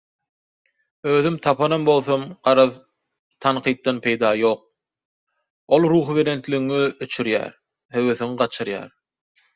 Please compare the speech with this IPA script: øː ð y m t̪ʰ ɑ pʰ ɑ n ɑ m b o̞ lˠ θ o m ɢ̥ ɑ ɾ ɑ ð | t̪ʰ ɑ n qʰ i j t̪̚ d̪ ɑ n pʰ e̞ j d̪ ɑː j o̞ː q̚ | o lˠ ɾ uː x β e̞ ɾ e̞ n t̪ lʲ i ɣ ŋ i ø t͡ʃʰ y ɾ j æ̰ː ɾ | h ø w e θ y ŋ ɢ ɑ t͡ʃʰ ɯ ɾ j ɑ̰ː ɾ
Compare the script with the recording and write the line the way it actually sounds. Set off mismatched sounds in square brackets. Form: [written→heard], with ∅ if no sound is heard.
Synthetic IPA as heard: øː ð y m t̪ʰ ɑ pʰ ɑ n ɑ m b o̞ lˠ θ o m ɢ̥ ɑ ɾ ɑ ð | t̪ʰ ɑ n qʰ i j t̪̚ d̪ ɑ n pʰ e̞ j d̪ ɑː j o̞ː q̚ | o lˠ ɾ uː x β e̞ ɾ e̞ n t̪ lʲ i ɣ ŋ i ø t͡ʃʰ y ɾ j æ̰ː ɾ | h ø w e θ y ŋ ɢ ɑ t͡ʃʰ ɯ ɾ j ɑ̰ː ɾ